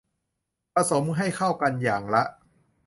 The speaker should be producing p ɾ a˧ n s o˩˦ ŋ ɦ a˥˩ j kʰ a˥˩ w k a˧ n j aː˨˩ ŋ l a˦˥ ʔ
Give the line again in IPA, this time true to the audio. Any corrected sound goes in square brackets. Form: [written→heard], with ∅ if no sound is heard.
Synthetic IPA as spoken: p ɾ a˧ [n→∅] s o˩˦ [ŋ→m] ɦ a˥˩ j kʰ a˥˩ w k a˧ n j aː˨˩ ŋ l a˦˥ ʔ